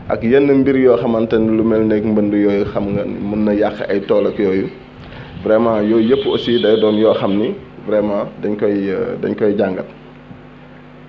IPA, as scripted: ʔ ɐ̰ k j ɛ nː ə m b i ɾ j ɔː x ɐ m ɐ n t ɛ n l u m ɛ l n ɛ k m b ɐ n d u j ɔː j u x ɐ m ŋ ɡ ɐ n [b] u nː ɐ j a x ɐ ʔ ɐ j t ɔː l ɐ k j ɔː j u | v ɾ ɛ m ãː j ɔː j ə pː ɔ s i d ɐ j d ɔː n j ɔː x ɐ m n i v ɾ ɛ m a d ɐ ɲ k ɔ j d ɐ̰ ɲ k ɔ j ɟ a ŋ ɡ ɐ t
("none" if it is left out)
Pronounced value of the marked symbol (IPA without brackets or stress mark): m